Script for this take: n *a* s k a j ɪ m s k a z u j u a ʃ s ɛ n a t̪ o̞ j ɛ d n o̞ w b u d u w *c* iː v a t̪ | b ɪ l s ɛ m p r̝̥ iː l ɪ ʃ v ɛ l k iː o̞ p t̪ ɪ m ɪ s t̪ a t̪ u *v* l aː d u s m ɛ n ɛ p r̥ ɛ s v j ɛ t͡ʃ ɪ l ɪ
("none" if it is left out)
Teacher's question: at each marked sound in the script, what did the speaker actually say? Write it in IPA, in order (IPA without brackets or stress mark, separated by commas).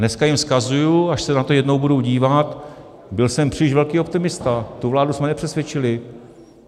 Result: ɛ, ɟ, v